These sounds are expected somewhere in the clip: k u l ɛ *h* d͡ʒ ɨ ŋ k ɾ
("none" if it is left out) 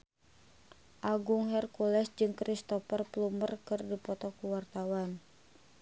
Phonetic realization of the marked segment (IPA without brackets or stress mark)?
s